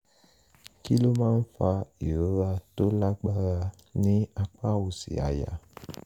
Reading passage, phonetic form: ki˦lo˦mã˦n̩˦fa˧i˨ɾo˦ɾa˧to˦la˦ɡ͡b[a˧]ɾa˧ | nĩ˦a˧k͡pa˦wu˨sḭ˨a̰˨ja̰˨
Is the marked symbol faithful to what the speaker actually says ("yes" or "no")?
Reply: yes